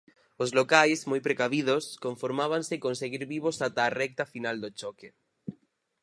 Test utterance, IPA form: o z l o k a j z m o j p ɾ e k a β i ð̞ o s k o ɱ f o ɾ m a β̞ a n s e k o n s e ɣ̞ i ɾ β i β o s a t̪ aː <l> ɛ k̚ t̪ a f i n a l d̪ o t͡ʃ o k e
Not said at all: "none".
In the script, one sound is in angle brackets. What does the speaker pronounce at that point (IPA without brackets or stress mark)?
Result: r